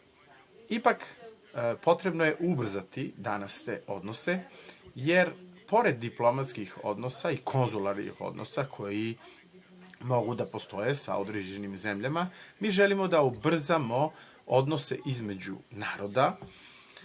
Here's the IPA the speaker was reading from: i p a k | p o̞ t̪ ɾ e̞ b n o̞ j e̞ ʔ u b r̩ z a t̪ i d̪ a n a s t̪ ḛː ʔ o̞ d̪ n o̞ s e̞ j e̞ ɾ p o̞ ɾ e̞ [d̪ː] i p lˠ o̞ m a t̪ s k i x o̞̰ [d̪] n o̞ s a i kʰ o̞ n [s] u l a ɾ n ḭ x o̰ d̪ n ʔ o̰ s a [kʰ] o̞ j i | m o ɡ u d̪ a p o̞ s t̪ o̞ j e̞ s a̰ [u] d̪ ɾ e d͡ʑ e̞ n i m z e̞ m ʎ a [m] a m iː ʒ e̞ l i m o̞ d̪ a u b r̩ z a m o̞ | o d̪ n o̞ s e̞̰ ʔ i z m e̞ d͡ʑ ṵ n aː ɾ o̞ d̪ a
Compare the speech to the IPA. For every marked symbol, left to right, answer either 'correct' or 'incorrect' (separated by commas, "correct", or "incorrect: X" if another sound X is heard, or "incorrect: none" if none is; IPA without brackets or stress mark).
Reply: correct, correct, incorrect: z, correct, incorrect: o, correct